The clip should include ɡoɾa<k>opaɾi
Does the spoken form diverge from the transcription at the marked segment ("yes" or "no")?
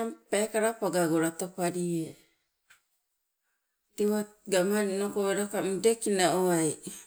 yes